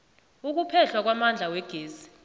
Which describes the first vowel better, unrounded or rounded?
rounded